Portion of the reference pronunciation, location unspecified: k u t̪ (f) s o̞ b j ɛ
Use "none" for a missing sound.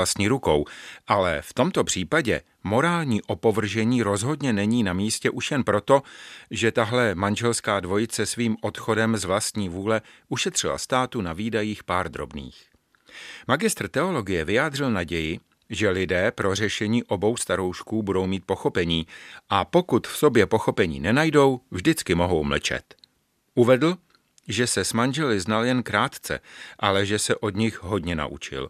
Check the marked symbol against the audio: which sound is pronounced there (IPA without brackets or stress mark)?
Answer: f